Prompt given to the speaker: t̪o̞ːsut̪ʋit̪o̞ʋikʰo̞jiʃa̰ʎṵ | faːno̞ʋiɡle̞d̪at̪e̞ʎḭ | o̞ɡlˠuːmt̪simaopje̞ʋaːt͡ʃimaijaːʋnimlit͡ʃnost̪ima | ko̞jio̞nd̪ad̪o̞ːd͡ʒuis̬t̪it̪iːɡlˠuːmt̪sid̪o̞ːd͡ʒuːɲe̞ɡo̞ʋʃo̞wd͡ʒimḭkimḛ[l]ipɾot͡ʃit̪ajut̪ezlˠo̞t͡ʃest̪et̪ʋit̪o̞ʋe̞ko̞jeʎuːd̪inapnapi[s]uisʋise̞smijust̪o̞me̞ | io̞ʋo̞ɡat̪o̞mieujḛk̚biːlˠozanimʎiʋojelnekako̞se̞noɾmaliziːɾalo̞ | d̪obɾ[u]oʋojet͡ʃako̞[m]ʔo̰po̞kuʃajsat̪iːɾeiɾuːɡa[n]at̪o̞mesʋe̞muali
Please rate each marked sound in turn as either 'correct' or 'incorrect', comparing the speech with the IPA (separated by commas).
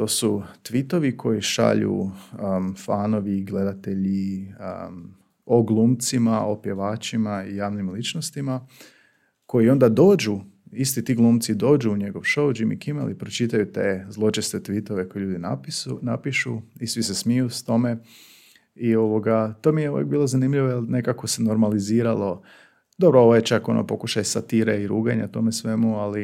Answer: correct, incorrect, incorrect, incorrect, incorrect